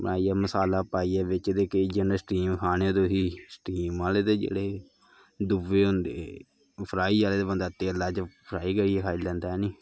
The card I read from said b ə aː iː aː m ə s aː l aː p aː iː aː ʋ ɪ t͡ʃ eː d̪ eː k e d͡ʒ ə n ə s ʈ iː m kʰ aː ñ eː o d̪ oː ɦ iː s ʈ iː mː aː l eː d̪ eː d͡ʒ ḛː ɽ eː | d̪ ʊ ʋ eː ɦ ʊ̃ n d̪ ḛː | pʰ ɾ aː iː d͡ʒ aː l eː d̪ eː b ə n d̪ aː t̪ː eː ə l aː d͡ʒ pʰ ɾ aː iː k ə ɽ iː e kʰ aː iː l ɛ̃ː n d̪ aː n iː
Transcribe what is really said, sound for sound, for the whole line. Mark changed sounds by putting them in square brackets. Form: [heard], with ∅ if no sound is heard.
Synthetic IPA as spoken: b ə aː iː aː m ə s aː l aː p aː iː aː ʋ ɪ t͡ʃ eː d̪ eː k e d͡ʒ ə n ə s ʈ iː m kʰ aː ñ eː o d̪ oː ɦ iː s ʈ iː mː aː l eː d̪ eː d͡ʒ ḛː ɽ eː | d̪ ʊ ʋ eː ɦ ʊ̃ n d̪ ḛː | pʰ ɾ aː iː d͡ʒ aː l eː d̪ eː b ə n d̪ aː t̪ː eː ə l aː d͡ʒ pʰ ɾ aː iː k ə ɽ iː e kʰ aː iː l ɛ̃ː n d̪ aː n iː